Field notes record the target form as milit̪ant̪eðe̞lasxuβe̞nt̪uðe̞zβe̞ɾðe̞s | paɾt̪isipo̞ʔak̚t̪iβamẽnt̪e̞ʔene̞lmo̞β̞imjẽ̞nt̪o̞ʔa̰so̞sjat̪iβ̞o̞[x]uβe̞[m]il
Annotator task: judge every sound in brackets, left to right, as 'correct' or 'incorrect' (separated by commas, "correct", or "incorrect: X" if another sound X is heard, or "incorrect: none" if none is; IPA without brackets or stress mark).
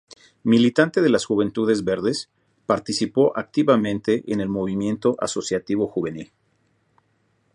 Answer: correct, incorrect: n